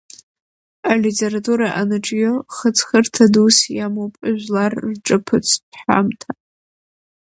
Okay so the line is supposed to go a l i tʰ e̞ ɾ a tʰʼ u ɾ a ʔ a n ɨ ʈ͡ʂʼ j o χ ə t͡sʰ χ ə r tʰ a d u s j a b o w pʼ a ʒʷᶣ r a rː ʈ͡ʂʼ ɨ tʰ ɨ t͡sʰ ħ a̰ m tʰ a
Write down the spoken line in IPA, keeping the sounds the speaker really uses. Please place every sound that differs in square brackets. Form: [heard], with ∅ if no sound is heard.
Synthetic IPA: a l i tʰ e̞ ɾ a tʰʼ u ɾ a ʔ a n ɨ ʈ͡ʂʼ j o χ ə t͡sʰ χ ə r tʰ a d u s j a [m] o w pʼ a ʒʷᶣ [l] a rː ʈ͡ʂʼ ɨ [pʰ] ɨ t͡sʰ ħ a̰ m tʰ a

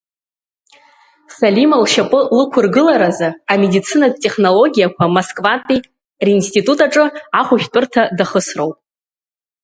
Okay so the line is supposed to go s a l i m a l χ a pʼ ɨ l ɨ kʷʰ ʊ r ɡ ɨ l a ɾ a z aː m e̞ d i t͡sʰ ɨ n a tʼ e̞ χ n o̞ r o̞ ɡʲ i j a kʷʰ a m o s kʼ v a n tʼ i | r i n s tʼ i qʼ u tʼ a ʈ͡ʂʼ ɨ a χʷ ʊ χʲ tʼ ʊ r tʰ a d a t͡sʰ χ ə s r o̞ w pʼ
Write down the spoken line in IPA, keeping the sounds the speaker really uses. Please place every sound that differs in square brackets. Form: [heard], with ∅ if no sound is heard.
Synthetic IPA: s a l i m a l [ʃ] a pʼ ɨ l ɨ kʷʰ ʊ r ɡ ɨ l a ɾ a z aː m e̞ d i t͡sʰ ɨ n a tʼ e̞ χ n o̞ [l] o̞ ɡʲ i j a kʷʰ a m o s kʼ v a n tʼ i | r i n s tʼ i [tʼ] u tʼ a ʈ͡ʂʼ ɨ a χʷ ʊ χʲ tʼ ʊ r tʰ a d a [∅] χ ə s r o̞ w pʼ

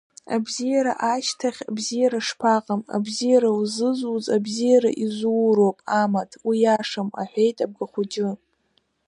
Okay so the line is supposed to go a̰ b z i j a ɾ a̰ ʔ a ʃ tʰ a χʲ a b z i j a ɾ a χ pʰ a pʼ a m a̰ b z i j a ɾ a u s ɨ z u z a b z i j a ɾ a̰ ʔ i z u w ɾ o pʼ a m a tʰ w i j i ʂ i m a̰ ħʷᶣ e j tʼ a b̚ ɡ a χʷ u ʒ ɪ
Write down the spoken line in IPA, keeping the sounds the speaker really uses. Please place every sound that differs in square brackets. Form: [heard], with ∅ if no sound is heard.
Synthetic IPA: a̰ b z i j a ɾ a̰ ʔ a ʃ tʰ a χʲ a b z i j a ɾ a [ʂ] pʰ a [qʼ] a m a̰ b z i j a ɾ a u [z] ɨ z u z a b z i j a ɾ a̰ ʔ i z u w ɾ o pʼ a m a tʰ w i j [a] ʂ [a] m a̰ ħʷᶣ e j tʼ a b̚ ɡ a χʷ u [d͡ʒ] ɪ

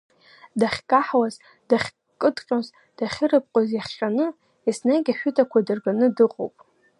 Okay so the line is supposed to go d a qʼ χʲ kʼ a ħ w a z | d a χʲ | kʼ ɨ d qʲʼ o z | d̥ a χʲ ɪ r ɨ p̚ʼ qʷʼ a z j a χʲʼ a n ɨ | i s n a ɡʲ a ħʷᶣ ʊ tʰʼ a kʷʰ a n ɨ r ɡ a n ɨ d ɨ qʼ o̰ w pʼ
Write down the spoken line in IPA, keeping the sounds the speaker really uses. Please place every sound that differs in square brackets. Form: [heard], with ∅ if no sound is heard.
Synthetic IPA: d a [∅] χʲ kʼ a ħ w a z | d a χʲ | kʼ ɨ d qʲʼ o z | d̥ a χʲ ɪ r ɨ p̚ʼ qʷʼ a z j a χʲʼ a n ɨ | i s n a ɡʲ a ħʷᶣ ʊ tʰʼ a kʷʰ a [d] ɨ r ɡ a n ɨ d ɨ qʼ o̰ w pʼ

